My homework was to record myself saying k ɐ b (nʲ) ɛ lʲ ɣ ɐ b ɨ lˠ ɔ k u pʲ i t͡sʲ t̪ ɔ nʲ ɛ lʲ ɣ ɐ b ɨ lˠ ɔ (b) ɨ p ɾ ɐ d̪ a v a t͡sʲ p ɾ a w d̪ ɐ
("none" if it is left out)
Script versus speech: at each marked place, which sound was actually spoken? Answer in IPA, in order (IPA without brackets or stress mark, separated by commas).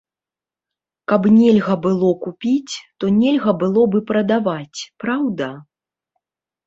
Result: nʲ, b